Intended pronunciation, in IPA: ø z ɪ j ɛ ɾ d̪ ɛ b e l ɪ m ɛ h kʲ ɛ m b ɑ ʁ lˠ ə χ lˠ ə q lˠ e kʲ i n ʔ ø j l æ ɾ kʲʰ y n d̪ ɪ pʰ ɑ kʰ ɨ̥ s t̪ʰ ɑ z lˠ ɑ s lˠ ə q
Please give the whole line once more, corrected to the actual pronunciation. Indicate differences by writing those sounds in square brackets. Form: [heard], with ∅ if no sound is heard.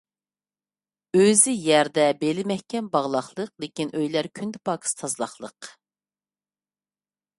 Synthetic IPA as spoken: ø z ɪ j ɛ ɾ d̪ ɛ b e l ɪ m ɛ h kʲ ɛ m b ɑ ʁ lˠ [ɑ] χ lˠ ə q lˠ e kʲ i n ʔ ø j l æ ɾ kʲʰ y n d̪ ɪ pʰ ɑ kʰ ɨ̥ s t̪ʰ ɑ z lˠ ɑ [χ] lˠ ə q